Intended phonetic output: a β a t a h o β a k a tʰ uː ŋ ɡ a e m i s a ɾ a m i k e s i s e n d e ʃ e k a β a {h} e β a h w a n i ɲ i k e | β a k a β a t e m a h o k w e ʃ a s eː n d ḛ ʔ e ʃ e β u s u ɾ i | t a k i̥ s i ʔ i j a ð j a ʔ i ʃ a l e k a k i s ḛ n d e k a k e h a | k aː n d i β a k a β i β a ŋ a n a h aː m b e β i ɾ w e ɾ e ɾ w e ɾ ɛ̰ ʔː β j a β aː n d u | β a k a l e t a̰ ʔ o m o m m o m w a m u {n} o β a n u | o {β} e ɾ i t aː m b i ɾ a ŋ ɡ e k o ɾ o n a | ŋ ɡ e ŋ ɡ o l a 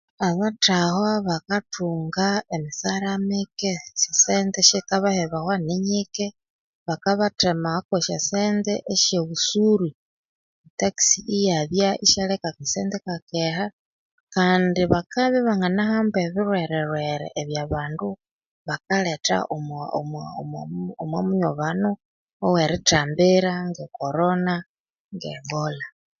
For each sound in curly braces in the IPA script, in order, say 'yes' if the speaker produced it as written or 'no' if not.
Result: yes, no, no

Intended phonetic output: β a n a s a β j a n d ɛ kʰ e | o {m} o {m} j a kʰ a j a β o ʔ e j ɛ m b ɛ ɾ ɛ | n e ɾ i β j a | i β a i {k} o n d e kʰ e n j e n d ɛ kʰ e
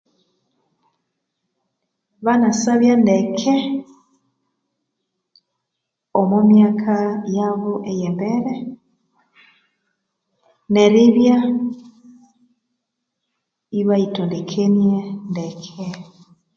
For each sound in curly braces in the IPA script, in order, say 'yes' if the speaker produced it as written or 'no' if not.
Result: yes, yes, no

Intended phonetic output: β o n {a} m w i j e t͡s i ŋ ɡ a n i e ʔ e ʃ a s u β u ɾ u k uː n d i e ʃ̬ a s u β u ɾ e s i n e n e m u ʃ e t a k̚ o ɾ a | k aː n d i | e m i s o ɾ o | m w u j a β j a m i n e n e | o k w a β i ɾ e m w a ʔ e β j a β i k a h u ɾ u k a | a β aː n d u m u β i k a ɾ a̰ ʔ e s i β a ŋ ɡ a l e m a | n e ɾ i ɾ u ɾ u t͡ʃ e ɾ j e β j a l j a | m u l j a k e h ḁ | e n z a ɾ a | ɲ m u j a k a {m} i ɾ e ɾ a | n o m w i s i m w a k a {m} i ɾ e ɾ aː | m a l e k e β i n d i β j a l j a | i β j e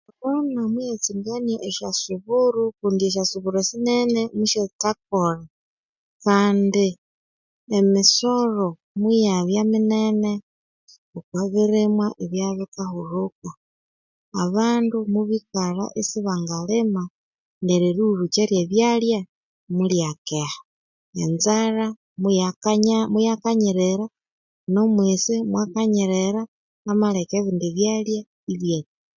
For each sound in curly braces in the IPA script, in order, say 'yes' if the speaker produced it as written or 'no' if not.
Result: yes, no, no

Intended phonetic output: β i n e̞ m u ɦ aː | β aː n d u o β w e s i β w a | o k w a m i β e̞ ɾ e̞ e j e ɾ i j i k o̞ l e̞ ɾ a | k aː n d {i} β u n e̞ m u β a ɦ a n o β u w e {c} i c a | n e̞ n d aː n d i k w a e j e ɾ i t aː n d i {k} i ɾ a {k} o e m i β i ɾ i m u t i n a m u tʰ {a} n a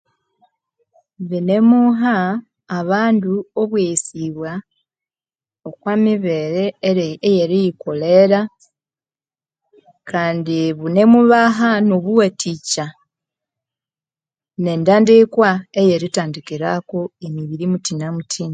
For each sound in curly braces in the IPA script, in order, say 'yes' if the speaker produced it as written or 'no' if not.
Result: yes, no, yes, yes, no

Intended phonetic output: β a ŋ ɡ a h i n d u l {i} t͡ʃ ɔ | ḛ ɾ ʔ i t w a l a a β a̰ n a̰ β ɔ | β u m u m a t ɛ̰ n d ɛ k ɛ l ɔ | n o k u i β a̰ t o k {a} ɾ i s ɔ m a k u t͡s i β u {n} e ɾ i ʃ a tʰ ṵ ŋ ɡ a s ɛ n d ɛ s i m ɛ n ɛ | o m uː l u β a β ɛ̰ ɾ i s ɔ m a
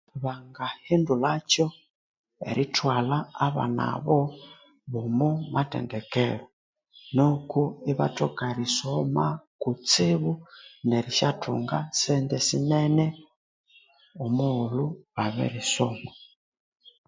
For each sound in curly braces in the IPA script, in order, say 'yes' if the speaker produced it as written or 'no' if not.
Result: no, yes, yes

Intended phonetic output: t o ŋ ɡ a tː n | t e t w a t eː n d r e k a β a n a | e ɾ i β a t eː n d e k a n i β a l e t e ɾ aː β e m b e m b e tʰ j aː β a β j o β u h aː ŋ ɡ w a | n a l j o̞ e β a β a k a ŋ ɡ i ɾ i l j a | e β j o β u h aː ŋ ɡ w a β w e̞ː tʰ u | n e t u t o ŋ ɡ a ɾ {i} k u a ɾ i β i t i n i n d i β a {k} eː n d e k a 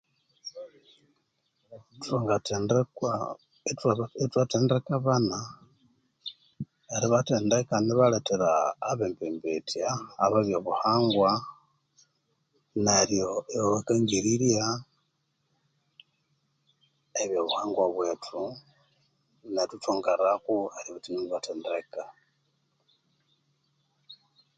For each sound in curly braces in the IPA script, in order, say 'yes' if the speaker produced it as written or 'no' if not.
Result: no, no

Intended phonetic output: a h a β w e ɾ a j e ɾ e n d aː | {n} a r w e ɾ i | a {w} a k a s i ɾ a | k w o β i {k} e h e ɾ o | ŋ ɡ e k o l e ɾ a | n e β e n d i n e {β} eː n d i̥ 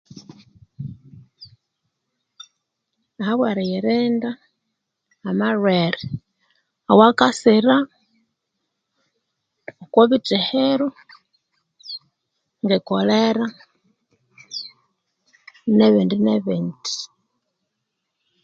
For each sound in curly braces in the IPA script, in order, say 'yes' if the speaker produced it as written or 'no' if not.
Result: no, yes, no, yes

